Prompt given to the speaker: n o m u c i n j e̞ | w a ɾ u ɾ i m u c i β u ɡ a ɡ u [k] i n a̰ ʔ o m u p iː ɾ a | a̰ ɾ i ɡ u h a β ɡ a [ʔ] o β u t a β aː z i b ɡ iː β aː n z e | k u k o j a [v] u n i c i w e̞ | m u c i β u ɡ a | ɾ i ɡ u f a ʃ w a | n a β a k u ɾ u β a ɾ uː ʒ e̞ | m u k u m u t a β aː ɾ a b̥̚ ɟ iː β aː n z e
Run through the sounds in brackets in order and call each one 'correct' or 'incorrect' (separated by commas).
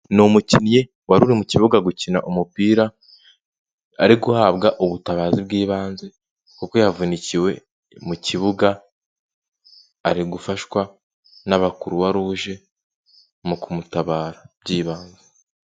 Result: incorrect, correct, correct